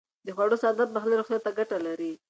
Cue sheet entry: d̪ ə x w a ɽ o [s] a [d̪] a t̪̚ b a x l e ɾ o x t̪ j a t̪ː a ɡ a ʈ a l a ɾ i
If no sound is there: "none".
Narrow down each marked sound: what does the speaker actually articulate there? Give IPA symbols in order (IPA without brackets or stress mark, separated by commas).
s, d̪